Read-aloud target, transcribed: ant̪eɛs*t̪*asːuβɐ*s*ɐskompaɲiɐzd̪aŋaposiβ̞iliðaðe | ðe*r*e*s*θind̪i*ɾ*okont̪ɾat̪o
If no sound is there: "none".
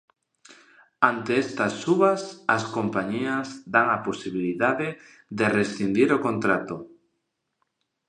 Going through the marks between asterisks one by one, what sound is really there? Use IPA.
t̪, s, r, s, ɾ

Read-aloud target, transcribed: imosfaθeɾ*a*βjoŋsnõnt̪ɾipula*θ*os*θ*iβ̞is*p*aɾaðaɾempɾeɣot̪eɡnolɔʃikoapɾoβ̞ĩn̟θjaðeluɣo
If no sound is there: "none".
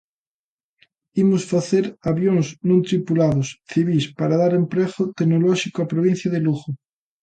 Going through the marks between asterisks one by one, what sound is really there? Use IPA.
a, ð, θ, p

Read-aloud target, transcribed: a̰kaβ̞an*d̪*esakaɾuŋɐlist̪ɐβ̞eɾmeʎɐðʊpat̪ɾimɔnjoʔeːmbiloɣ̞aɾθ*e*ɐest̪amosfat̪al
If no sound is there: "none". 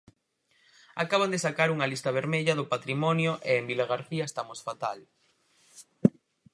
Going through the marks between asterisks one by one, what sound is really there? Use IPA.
d̪, i

